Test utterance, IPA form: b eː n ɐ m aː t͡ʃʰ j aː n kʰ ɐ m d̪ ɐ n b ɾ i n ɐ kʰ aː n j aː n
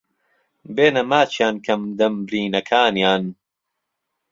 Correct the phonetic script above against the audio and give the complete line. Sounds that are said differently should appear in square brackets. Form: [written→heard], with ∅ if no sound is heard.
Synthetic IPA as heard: b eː n ɐ m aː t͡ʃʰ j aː n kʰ ɐ m d̪ ɐ [n→m] b ɾ [i→iː] n ɐ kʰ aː n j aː n